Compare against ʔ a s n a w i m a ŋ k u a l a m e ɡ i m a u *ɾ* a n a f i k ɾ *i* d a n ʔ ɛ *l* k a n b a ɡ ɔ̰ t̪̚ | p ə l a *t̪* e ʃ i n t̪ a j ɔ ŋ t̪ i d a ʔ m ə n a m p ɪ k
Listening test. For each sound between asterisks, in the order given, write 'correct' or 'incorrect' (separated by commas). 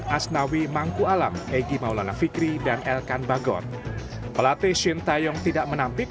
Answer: incorrect, correct, correct, correct